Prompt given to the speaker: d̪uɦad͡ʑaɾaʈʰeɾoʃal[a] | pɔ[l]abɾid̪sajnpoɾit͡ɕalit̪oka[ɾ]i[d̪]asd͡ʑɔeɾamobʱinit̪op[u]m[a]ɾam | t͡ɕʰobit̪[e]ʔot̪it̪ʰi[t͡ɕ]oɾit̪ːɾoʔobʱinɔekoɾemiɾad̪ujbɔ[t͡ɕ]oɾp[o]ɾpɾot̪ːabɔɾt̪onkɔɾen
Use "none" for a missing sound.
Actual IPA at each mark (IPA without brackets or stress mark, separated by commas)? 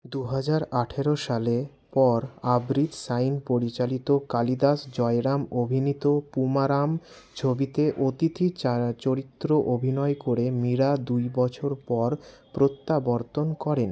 e, ɾ, l, d̪, u, a, e, t͡ɕ, t͡ɕʰ, ɔ